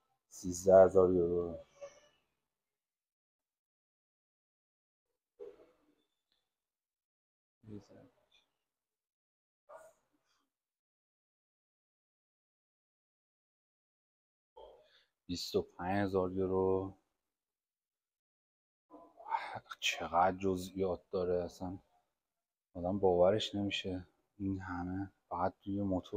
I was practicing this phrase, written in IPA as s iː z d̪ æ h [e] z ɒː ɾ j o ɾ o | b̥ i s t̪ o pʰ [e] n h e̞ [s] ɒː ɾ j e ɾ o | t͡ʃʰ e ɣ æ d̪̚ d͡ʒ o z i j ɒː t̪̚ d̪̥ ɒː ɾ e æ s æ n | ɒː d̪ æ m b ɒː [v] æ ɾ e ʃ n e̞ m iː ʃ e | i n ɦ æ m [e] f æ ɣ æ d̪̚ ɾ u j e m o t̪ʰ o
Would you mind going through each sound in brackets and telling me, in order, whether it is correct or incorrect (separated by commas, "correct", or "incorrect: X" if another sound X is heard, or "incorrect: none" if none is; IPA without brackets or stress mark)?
correct, incorrect: æ, incorrect: z, correct, correct